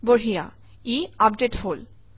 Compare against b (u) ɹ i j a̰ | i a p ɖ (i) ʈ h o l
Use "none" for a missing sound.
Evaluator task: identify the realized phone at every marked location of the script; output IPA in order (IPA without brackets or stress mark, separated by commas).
o, e